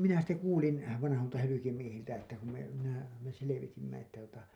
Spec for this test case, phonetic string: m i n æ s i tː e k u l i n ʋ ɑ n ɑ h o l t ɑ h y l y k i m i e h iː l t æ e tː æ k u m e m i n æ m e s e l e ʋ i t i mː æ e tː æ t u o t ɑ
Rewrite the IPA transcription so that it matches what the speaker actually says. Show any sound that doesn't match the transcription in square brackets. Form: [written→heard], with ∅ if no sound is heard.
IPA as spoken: m i n æ s i tː e k [u→uː] l i n ʋ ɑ n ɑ h o l t ɑ h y l y k i m i e h [iː→i] l t æ e tː æ k u m e m i n æ m e s e l e ʋ i t i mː æ e tː æ t u o t ɑ